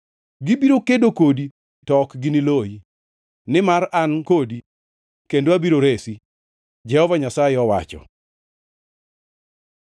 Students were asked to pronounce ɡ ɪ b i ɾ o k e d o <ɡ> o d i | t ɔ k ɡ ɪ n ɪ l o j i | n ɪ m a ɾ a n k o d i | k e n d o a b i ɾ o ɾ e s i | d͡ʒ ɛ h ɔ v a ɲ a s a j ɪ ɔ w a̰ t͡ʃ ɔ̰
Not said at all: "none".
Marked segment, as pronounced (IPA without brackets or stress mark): k